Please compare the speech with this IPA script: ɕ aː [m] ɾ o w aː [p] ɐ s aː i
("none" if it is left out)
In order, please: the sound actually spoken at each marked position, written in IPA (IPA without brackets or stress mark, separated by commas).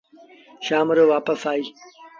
m, p